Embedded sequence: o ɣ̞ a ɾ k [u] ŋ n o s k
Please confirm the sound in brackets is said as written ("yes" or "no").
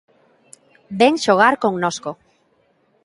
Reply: no